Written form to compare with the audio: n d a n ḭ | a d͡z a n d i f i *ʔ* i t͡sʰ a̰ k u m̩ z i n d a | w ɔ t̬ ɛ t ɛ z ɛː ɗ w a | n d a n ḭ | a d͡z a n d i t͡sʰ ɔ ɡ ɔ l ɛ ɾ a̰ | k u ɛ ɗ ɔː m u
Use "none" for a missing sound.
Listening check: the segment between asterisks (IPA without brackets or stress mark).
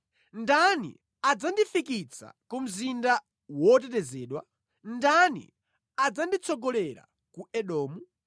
k